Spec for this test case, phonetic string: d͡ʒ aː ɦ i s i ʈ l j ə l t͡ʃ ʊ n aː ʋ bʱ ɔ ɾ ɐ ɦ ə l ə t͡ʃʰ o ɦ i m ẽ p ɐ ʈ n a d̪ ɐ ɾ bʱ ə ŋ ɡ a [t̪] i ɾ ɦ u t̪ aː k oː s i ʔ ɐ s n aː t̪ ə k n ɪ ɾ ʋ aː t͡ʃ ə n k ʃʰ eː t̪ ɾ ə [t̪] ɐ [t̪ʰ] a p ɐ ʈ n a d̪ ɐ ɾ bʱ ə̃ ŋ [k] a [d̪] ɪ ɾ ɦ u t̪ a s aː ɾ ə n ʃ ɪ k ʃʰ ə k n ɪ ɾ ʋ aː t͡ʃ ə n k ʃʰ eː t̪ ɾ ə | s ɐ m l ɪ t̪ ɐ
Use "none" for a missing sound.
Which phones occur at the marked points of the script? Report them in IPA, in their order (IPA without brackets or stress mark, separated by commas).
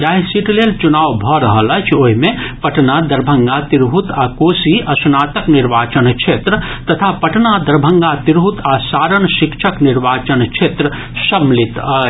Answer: t̪, t̪, t̪ʰ, ɡ, t̪